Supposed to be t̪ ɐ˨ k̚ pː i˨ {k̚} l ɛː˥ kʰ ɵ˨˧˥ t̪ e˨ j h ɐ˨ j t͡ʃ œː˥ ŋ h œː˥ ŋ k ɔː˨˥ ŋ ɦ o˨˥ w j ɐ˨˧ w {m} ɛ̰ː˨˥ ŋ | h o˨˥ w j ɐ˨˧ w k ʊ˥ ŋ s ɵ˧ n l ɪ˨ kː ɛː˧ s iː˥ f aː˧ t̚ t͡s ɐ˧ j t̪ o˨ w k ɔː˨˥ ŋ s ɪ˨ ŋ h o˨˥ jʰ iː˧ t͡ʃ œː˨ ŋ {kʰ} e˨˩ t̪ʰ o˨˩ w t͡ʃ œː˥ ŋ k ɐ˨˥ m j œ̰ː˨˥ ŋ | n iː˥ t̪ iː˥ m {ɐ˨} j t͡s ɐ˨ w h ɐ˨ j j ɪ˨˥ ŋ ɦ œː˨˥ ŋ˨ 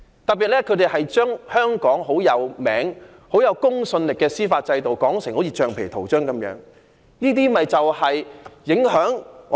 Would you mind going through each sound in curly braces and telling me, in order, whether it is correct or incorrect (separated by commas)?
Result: incorrect, correct, incorrect, correct